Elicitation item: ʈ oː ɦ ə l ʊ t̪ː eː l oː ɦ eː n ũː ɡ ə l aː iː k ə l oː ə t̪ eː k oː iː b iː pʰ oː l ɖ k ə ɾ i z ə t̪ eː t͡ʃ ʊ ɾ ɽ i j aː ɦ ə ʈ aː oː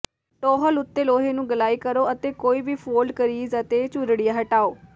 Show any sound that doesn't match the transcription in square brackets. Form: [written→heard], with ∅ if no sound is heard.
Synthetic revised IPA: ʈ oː ɦ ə l ʊ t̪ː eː l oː ɦ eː n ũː ɡ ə l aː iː k ə [l→ɾ] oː ə t̪ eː k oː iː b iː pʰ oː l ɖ k ə ɾ [i→iː] z ə t̪ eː t͡ʃ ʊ ɾ ɽ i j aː ɦ ə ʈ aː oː